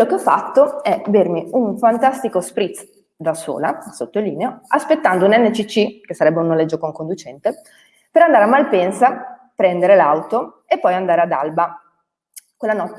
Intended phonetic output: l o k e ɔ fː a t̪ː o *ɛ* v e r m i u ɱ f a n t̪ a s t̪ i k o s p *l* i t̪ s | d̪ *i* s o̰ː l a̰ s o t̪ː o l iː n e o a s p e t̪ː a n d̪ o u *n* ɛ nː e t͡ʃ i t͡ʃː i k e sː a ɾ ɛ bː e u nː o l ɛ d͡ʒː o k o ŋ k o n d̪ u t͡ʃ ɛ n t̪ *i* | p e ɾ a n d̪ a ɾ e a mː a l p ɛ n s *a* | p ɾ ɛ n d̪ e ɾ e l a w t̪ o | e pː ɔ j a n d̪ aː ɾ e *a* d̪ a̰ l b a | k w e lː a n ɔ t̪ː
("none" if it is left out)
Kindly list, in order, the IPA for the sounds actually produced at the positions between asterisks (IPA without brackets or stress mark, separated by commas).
ɛ, ɾ, a, n, e, a, a